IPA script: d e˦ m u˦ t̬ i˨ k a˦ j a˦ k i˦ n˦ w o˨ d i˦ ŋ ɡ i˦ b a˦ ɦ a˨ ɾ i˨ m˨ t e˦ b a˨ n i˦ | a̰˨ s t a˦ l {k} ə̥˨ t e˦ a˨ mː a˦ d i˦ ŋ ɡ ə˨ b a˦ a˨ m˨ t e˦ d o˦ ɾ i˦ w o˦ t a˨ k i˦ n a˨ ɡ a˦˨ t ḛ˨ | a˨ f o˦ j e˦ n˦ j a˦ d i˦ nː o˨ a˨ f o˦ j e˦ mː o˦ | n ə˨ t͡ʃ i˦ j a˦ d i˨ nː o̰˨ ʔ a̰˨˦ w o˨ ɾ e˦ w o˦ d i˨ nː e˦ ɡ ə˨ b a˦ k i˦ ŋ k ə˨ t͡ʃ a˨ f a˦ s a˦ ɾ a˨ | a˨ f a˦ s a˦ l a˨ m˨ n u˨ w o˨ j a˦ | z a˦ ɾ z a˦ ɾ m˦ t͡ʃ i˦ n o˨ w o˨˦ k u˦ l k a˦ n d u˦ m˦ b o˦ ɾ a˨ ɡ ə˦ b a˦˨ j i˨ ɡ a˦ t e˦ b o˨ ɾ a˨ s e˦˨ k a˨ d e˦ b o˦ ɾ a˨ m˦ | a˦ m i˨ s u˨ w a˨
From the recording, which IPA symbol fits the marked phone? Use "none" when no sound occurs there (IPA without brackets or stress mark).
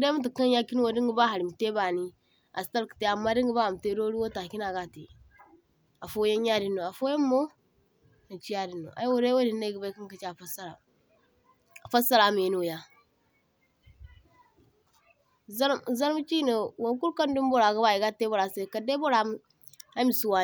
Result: k